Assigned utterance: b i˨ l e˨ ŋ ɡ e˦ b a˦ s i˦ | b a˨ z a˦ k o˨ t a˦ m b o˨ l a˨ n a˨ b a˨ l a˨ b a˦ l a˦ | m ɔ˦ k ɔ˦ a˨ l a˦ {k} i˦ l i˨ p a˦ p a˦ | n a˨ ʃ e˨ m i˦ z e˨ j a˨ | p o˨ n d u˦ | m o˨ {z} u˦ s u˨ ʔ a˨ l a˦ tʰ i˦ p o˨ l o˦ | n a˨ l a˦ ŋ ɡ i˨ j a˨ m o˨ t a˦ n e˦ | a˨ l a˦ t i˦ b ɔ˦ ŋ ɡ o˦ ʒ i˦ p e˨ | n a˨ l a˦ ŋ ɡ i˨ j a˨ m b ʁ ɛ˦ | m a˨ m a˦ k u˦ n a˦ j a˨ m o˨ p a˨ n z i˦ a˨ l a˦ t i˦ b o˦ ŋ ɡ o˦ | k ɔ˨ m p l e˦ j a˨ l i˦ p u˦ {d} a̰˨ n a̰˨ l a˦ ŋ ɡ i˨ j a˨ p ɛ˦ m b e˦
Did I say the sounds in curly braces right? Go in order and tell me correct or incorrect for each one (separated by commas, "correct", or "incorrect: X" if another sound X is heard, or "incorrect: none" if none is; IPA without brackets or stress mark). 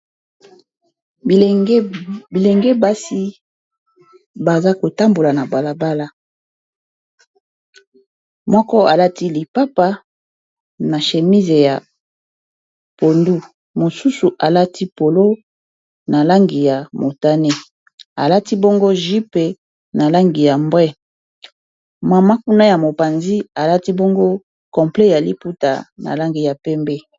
incorrect: t, incorrect: s, incorrect: t